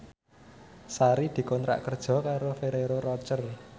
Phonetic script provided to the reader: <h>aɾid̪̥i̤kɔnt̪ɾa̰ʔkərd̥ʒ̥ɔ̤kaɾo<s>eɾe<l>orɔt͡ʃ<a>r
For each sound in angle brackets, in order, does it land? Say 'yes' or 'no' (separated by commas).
no, no, no, no